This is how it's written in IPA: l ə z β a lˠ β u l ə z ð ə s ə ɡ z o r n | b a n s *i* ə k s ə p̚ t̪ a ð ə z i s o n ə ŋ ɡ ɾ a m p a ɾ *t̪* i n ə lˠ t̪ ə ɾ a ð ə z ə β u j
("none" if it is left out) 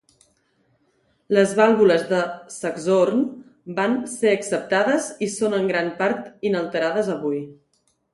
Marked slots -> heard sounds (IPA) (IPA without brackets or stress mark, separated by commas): e, t̪